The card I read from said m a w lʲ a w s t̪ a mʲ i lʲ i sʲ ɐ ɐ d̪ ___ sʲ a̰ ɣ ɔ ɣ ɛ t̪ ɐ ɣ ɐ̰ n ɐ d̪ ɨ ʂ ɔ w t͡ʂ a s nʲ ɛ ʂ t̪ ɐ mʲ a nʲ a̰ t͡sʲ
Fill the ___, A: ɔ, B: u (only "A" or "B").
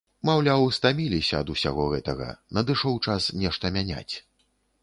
B